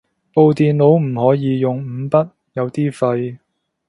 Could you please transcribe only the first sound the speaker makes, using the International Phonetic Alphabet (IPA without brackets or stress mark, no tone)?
p